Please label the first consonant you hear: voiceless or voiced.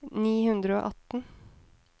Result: voiced